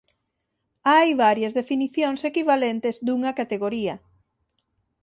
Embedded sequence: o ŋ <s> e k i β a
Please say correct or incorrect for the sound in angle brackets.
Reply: correct